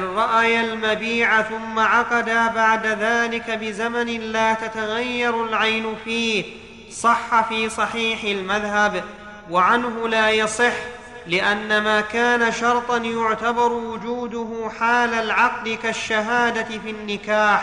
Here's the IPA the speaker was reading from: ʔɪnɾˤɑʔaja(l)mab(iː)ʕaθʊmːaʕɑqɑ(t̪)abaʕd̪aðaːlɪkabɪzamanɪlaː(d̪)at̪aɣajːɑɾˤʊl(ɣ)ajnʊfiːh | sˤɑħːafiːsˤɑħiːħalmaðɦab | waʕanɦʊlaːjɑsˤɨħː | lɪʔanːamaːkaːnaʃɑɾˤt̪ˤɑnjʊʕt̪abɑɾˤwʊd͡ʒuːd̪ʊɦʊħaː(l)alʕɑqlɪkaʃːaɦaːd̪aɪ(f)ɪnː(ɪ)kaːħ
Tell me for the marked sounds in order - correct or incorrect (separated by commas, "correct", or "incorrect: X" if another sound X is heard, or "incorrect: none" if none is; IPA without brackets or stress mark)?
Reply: correct, correct, incorrect: d̪, incorrect: t̪, incorrect: ʕ, correct, correct, correct